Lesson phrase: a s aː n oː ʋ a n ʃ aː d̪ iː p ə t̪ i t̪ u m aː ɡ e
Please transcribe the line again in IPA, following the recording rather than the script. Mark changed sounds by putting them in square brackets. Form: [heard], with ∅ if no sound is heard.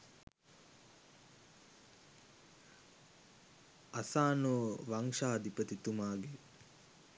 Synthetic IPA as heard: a s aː n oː ʋ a [ŋ] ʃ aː d̪ [i] p ə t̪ i t̪ u m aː ɡ e